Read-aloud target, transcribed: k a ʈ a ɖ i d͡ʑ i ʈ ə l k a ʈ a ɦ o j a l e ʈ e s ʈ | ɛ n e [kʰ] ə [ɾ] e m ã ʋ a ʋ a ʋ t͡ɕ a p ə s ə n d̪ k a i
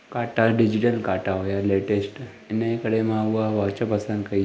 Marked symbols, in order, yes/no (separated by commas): no, no